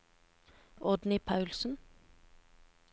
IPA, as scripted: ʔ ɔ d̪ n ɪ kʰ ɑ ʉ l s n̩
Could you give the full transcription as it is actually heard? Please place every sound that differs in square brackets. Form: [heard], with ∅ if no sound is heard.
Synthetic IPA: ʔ ɔ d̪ n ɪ [pʰ] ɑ ʉ l s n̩